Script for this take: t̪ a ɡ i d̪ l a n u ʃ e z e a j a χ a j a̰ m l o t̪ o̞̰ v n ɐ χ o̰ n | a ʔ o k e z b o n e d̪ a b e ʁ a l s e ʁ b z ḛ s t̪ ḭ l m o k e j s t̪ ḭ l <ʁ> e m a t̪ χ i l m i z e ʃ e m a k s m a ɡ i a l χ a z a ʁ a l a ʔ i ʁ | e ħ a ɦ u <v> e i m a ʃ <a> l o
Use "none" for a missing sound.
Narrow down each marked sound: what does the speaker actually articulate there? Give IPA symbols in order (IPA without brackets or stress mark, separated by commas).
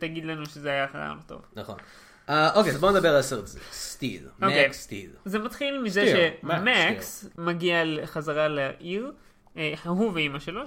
z, v, e